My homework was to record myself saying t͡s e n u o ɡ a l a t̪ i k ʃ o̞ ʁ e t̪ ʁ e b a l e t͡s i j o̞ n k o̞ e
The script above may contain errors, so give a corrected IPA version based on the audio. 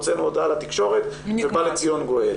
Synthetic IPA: t͡s e n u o d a l a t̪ i k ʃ o̞ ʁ e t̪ v e b a l e t͡s i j o̞ n ɡ o̞ e

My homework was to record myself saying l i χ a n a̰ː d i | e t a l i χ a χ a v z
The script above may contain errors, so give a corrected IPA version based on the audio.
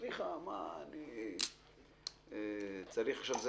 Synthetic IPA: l i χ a m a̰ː n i | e t͡s a ɾ i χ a ʃ a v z

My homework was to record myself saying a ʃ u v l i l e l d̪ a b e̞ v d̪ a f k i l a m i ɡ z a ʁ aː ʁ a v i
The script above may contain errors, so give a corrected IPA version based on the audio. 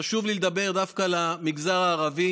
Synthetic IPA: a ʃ u v l i l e d̪ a b e̞ ʁ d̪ a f k a l a m i ɡ z a ʁ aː ʁ a v i

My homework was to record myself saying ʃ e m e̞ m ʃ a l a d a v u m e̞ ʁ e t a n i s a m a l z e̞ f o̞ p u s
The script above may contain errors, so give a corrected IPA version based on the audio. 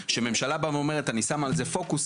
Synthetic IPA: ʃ e m e̞ m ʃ a l a b a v o m e̞ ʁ e t a n i s a m a l z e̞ f o̞ k u s

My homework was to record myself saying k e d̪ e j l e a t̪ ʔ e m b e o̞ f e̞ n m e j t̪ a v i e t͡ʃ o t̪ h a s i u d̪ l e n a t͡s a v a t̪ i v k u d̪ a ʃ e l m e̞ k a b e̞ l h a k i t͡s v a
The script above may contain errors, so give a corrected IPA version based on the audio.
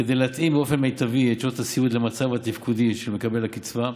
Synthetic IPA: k e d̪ e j l e a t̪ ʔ i m b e o̞ f e̞ n m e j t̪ a v i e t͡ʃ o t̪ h a s i u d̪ l e m a t͡s a v a t̪ i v k u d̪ i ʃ e l m e̞ k a b e̞ l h a k i t͡s v a

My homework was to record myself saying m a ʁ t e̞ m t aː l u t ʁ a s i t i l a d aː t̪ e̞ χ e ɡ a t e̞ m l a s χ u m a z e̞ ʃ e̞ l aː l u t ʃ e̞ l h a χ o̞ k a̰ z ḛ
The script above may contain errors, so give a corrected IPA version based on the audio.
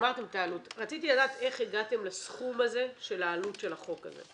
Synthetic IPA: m a ʁ t e̞ m t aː l u t ʁ a t͡s i t i l a d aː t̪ e̞ χ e ɡ a t e̞ m l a s χ u m a z e̞ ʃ e̞ l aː l u t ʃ e̞ l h a χ o̞ k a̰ z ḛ

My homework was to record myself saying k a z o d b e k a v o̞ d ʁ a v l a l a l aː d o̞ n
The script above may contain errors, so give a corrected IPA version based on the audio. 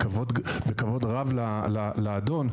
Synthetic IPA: k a v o d b e k a v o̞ d ʁ a v l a l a l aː d o̞ n

